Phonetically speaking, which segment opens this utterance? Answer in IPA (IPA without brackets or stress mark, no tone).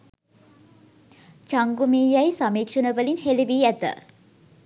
t͡ʃ